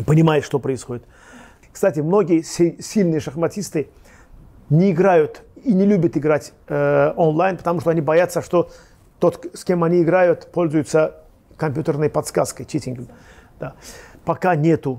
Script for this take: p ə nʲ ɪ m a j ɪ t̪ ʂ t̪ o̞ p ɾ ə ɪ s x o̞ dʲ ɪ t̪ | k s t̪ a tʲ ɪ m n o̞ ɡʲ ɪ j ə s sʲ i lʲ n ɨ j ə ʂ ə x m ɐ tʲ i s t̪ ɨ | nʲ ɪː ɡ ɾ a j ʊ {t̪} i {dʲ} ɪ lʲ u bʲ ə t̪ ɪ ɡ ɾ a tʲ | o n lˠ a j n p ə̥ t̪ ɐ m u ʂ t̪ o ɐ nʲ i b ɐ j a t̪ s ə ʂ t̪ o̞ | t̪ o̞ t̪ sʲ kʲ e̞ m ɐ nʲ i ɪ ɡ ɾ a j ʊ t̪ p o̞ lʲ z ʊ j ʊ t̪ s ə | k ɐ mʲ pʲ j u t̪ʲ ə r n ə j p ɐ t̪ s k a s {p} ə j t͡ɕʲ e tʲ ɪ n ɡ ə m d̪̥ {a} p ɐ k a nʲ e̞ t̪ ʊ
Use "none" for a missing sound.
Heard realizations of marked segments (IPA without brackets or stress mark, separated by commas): t̪, nʲ, k, a